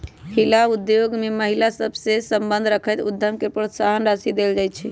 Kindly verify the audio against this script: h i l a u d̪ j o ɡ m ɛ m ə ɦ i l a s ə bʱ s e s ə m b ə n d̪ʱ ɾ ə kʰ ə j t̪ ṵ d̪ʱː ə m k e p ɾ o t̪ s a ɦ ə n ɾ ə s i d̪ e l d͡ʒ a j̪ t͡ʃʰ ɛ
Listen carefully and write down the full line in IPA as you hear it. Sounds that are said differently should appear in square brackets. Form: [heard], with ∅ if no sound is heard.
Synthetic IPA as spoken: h i l a u d̪ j o ɡ m [e] m ə ɦ i l a s ə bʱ s e s ə m b ə n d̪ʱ ɾ ə kʰ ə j t̪ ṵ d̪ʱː ə m k e p ɾ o t̪ s a ɦ ə n ɾ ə s i d̪ e l d͡ʒ a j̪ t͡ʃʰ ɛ